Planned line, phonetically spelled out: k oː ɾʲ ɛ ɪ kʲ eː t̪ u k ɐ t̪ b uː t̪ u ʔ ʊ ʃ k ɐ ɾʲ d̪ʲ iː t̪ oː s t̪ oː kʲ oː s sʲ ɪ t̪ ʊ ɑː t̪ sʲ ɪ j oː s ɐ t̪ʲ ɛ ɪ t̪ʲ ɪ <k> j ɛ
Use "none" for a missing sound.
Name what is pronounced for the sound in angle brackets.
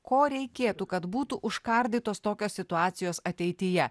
none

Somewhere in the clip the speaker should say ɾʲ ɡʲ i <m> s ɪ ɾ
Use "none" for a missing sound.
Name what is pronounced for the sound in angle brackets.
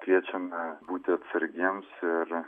m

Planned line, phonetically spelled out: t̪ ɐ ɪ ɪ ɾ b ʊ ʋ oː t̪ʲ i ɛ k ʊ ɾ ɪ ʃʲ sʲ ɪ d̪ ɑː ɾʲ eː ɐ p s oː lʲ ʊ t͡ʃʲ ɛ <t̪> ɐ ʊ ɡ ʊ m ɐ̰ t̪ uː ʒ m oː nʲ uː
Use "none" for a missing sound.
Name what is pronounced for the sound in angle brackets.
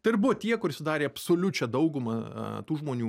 d̪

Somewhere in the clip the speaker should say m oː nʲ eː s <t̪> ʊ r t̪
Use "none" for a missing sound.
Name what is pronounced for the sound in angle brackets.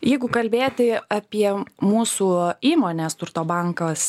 t̪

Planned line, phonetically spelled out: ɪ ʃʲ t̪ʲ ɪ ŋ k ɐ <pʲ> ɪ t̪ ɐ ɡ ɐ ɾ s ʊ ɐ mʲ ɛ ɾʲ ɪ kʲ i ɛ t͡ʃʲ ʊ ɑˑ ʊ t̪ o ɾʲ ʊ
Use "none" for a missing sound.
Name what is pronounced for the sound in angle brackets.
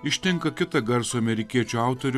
kʲ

